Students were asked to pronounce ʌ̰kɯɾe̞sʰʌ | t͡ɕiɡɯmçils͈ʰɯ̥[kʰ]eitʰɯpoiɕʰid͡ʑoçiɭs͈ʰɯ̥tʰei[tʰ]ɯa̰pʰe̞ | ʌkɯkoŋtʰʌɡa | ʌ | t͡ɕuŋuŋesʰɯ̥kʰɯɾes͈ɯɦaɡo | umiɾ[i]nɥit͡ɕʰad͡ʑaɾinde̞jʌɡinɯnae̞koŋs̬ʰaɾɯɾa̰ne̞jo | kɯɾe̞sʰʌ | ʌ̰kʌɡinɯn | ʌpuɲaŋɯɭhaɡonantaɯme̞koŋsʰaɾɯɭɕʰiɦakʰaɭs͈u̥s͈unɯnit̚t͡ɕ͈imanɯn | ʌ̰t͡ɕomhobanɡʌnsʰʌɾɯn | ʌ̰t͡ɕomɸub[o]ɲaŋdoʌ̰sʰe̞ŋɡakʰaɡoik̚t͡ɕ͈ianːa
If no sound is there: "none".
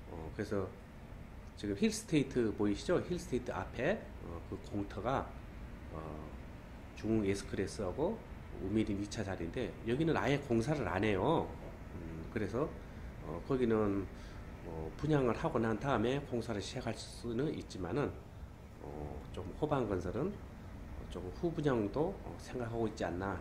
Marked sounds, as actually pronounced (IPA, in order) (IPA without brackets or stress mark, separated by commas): tʰ, tʰ, i, u